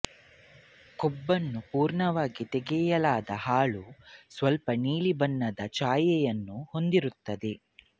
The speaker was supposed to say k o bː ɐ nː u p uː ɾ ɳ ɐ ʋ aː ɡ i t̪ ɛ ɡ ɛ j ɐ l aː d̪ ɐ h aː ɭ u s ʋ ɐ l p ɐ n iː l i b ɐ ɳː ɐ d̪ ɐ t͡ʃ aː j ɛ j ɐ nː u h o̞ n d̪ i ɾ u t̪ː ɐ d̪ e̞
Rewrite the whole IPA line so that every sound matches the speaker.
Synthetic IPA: k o bː ɐ nː u p uː ɾ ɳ ɐ ʋ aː ɡ i t̪ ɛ ɡ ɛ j ɐ l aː d̪ ɐ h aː ɭ u s ʋ ɐ l p ɐ n iː l i b ɐ nː ɐ d̪ ɐ t͡ʃ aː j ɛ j ɐ nː u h o̞ n d̪ i ɾ u t̪ː ɐ d̪ e̞